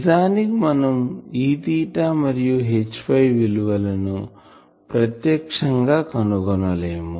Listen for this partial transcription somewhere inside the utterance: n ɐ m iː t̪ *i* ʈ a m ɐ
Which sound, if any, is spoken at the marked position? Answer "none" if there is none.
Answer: iː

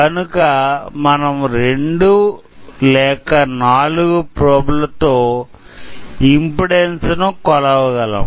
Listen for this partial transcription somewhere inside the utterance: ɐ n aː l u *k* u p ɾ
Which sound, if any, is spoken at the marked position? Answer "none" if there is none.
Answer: ɡ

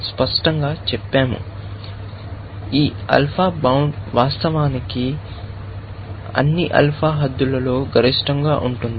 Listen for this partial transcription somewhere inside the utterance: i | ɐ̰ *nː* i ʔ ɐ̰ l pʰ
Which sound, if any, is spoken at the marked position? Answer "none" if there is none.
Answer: nː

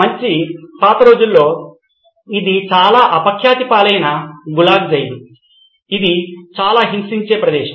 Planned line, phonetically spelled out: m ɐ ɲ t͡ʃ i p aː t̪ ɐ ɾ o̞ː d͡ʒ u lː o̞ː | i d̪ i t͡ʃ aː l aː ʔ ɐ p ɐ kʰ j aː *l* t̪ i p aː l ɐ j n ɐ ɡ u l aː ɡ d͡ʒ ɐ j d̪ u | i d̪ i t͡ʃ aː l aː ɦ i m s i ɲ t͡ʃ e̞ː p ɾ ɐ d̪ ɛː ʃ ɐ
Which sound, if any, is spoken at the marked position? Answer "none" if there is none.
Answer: none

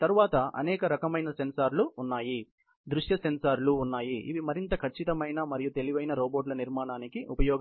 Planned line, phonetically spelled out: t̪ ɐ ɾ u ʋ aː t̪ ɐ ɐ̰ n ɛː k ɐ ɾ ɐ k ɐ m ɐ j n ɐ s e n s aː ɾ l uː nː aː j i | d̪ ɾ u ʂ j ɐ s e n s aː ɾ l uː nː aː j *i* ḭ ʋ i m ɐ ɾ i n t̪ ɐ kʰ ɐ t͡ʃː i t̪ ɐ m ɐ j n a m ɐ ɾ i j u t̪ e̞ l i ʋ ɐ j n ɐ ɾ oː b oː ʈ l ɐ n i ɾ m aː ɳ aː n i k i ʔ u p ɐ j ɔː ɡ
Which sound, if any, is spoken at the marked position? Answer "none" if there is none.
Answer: i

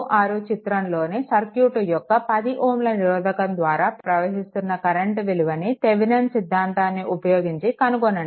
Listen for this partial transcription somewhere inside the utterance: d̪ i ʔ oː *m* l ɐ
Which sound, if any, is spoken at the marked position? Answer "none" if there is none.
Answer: m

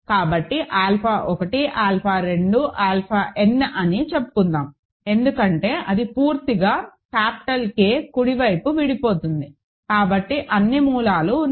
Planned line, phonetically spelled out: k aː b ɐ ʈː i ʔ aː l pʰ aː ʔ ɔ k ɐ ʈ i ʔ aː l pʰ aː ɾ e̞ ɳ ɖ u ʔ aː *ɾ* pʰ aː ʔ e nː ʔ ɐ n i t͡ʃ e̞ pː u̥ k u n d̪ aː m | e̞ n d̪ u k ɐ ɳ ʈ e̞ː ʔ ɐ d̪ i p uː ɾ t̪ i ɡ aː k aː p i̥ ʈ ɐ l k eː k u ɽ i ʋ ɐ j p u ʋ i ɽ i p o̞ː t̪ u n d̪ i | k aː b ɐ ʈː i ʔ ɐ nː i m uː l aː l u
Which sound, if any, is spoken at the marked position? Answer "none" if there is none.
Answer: l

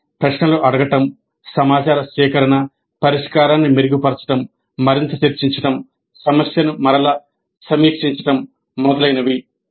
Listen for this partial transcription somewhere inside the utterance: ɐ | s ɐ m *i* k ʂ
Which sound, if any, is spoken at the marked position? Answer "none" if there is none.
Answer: iː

